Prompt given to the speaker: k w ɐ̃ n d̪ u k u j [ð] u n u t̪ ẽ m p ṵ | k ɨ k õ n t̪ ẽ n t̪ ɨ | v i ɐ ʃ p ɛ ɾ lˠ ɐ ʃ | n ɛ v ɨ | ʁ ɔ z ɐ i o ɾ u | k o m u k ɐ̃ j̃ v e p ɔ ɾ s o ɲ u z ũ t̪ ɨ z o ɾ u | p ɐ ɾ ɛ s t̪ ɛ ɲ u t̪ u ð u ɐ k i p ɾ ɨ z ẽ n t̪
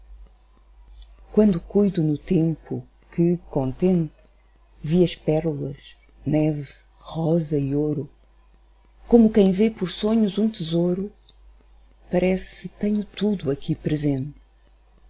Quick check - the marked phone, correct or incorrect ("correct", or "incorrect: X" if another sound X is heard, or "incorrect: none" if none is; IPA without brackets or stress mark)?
correct